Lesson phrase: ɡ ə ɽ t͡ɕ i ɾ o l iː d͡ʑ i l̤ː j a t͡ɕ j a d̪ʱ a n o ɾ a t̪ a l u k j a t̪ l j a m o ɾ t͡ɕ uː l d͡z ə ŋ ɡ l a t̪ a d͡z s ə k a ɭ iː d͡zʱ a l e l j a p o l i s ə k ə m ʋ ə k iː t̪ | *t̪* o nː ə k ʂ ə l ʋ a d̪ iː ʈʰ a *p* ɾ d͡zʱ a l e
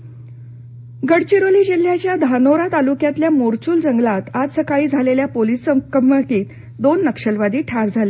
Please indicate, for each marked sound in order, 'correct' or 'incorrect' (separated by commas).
incorrect, incorrect